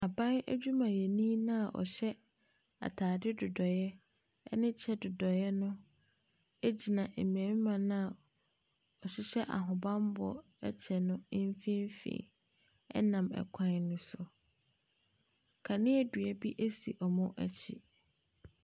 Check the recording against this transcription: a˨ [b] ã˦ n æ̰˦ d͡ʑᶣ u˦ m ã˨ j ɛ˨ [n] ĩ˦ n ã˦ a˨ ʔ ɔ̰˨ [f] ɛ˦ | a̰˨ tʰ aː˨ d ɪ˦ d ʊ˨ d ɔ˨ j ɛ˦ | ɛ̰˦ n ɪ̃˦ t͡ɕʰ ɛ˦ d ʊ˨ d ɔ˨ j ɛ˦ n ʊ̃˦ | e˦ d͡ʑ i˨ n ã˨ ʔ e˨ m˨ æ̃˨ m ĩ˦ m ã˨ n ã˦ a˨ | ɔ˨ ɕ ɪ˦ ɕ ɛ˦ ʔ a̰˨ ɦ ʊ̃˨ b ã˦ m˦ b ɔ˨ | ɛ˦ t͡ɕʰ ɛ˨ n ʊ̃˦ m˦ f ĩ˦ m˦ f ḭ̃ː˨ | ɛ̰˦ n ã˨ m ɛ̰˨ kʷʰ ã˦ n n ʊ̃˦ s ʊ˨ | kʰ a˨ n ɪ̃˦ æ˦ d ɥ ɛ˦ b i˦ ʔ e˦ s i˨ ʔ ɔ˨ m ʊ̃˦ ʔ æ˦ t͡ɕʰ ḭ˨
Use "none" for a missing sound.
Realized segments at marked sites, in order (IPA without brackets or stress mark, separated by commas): b, n, ɕ